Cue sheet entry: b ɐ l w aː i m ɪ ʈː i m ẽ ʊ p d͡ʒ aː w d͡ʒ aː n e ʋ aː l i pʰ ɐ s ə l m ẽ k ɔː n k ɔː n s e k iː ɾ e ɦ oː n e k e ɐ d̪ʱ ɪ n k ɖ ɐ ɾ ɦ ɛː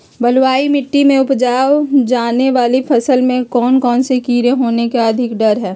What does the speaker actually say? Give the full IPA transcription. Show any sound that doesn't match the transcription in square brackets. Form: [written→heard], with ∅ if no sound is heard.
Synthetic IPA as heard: b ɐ l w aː i m ɪ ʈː i m ẽ ʊ p d͡ʒ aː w d͡ʒ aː n e ʋ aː l i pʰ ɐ s ə l m ẽ k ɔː n k ɔː n s e k iː ɾ e ɦ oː n e k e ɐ d̪ʱ ɪ [n→∅] k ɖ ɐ ɾ ɦ ɛː

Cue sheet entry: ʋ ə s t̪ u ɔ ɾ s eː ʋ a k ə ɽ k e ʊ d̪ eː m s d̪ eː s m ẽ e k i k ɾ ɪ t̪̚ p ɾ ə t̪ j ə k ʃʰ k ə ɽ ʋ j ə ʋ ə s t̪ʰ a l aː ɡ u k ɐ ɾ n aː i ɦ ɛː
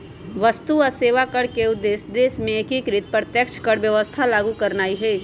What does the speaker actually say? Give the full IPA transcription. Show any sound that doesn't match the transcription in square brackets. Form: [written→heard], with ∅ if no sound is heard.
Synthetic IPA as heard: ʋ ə s t̪ u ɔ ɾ s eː ʋ a k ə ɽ k e ʊ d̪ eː [m→∅] s d̪ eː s m ẽ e k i k ɾ ɪ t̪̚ p ɾ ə t̪ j ə k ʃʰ k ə ɽ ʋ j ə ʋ ə s t̪ʰ a l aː ɡ u k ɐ ɾ n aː i ɦ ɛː

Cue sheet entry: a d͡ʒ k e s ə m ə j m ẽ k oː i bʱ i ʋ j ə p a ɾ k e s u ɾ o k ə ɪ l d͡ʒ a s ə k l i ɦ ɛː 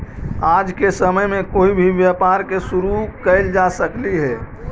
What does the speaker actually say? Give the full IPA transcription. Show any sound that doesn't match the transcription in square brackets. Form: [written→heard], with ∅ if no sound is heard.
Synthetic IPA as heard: a d͡ʒ k e s ə m ə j m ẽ k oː i bʱ i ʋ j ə p a ɾ k e s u ɾ [o→u] k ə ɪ l d͡ʒ a s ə k l i ɦ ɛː

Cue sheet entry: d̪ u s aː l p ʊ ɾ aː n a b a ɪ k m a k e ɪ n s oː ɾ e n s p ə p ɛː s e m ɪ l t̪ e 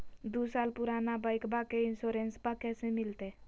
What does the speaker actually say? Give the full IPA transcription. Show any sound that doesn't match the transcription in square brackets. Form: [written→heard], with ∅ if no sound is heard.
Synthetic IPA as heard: d̪ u s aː l p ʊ ɾ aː n a b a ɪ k [m→b] a k e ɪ n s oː ɾ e n s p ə [p→k] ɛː s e m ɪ l t̪ e

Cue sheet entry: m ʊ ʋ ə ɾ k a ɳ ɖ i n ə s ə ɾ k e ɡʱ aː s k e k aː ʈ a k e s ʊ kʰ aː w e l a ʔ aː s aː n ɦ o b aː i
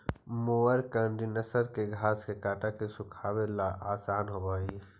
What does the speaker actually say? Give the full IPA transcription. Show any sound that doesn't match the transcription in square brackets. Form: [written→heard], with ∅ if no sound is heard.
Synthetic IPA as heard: m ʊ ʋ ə ɾ k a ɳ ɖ i n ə s ə ɾ k e ɡʱ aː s k e k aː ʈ a k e s ʊ kʰ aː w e l a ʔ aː s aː n ɦ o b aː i

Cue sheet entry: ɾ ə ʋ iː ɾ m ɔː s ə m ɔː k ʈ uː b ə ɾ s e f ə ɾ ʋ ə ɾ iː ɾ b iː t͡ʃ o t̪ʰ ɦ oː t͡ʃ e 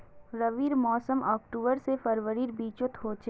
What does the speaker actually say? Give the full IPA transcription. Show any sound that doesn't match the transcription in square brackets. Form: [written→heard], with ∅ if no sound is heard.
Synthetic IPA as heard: ɾ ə ʋ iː ɾ m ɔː s ə m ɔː k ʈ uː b ə ɾ s e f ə ɾ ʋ ə ɾ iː ɾ b iː t͡ʃ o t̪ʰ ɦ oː t͡ʃ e

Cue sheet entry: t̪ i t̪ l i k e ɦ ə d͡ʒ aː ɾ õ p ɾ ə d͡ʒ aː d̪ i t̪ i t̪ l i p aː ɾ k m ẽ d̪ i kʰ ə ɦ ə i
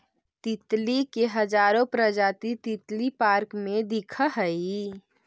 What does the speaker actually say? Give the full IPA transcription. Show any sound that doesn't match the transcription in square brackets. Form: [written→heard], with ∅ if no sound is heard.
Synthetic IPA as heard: t̪ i t̪ l i k e ɦ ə d͡ʒ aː ɾ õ p ɾ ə d͡ʒ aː [d̪→t̪] i t̪ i t̪ l i p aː ɾ k m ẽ d̪ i kʰ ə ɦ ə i

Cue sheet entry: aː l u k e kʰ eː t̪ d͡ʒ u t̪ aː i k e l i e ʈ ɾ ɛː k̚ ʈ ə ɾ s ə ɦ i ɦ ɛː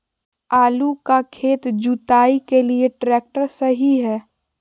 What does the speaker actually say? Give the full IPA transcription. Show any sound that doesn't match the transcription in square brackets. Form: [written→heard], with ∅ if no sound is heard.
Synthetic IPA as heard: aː l u k [e→a] kʰ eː t̪ d͡ʒ u t̪ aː i k e l i e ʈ ɾ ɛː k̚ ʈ ə ɾ s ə ɦ i ɦ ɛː

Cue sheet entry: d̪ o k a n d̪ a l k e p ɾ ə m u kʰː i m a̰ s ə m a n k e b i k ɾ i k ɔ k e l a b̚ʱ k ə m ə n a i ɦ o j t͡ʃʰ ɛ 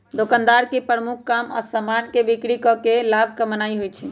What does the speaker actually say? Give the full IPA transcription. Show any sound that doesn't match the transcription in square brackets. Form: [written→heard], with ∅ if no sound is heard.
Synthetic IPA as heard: d̪ o k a n d̪ a [l→ɾ] k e p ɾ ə m u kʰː [i→a] m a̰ s ə m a n k e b i k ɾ i k ɔ k e l a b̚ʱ k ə m ə n a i ɦ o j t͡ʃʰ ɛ

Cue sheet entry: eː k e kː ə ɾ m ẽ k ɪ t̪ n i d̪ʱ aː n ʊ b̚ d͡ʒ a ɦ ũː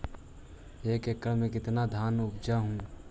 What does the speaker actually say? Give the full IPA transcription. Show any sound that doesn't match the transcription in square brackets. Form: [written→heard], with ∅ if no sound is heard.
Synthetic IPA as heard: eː k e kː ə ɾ m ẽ k ɪ t̪ n [i→a] d̪ʱ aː n ʊ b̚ d͡ʒ a ɦ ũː

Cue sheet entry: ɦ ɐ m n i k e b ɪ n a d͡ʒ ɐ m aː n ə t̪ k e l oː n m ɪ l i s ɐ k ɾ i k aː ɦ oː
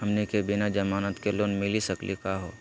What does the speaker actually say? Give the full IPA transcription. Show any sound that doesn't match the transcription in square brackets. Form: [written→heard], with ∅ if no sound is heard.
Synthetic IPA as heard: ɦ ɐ m n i k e b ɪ n a d͡ʒ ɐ m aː n ə t̪ k e l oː n m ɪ l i s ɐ k [ɾ→l] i k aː ɦ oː

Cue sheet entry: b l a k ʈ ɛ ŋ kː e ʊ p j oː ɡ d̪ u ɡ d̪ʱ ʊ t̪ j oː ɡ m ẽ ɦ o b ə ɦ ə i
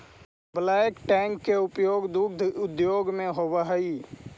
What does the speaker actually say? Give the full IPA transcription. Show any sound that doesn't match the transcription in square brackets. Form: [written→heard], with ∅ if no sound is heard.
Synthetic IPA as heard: b l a k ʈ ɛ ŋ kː e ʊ p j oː ɡ d̪ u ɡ d̪ʱ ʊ [t̪→d̪] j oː ɡ m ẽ ɦ o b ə ɦ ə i

